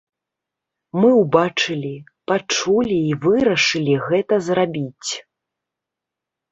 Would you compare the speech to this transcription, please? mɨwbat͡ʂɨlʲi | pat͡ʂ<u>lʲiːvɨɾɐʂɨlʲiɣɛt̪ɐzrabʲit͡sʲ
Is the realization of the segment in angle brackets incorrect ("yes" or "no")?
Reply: no